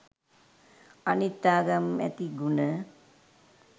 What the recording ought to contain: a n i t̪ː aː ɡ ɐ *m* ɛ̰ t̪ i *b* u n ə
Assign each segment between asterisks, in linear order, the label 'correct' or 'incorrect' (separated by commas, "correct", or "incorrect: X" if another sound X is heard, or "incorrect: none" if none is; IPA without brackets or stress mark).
correct, incorrect: ɡ